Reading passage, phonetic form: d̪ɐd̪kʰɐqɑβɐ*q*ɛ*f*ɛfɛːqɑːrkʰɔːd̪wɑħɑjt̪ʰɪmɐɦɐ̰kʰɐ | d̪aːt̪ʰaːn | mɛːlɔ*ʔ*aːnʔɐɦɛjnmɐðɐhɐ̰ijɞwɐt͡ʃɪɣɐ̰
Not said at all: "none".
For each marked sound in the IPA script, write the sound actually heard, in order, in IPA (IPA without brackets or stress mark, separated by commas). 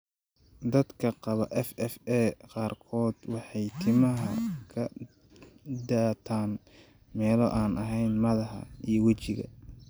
ʔ, f, ʔ